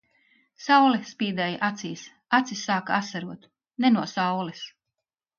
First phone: s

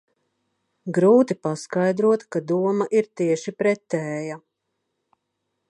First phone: ɡ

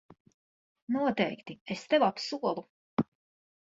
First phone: n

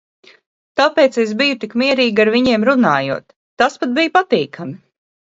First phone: t̪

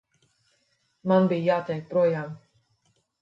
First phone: m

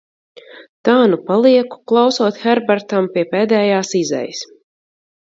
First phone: t̪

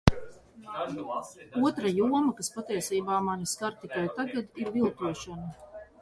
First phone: u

